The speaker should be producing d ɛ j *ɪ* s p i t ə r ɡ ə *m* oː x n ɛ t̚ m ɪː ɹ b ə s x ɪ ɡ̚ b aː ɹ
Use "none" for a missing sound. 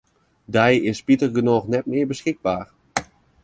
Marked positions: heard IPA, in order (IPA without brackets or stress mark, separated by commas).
ɪ, n